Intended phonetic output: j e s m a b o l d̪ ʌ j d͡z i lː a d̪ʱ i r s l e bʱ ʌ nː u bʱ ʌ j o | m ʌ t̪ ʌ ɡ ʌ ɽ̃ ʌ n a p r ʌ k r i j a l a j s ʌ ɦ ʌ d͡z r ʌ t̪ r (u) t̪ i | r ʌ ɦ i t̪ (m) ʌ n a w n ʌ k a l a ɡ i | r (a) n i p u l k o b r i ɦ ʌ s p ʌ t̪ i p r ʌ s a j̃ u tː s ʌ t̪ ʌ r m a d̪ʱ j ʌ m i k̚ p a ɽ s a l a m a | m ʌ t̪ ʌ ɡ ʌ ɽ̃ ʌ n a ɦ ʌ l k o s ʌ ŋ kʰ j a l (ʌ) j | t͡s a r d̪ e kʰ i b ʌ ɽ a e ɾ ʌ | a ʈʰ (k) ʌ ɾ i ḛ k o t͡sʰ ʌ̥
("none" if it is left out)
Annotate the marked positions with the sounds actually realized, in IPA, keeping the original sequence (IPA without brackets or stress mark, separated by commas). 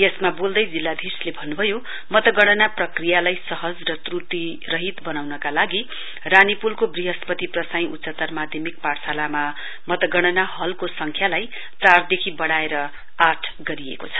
u, b, a, a, ɡ